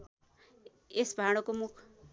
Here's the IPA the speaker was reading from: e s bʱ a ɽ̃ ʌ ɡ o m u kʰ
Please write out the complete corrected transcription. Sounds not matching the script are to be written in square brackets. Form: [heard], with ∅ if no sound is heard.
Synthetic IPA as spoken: e s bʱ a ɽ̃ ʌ [k] o m u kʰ